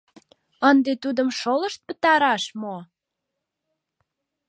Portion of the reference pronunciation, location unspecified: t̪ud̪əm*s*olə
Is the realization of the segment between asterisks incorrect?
yes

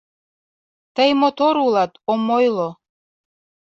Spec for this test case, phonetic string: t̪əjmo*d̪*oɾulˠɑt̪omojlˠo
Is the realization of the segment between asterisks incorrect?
yes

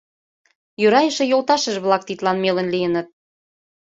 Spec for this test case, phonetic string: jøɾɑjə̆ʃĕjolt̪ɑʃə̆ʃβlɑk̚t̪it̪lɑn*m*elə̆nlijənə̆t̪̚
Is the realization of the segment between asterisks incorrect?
no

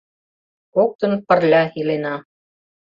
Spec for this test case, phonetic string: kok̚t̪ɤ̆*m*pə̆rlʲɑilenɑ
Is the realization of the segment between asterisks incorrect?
yes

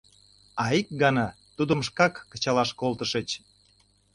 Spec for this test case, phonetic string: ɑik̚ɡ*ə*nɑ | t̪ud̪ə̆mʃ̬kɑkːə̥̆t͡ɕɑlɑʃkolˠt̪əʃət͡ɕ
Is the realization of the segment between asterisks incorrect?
yes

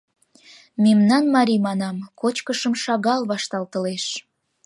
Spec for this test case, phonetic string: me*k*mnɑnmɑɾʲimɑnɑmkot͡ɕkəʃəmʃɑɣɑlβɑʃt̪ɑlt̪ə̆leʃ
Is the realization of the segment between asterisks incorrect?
yes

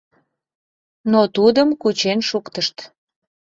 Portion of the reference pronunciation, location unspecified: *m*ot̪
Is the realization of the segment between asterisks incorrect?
yes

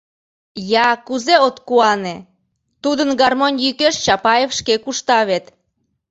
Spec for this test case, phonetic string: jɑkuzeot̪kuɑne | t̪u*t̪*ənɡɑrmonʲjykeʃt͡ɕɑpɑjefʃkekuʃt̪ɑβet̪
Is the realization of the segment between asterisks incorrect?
yes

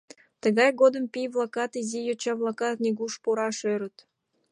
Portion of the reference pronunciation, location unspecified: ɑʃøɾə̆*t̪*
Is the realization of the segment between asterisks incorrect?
no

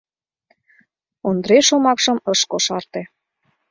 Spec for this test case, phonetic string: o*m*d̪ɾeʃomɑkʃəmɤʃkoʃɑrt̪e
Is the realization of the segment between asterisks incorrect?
yes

